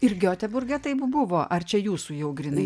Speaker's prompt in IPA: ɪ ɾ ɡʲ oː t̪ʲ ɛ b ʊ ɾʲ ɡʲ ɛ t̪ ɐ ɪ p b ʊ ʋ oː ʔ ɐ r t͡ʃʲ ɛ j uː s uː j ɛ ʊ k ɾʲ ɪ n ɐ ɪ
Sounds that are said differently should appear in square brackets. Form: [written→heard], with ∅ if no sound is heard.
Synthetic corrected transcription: ɪ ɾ ɡʲ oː t̪ʲ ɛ b ʊ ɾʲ ɡʲ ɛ t̪ ɐ ɪ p b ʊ ʋ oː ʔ ɐ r t͡ʃʲ ɛ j uː s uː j ɛ ʊ [k→ɡ] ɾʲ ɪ n ɐ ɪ